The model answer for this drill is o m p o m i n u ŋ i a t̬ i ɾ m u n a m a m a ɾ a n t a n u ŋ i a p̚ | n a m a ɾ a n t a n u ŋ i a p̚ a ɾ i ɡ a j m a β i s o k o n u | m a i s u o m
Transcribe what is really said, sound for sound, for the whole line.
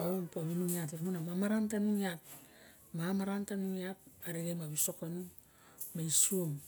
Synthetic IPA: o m p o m i n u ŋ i a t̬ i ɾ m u n a m a m a ɾ a n t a n u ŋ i a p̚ | m a m a ɾ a n t a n u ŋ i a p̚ a ɾ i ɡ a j m a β i s o k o n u | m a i s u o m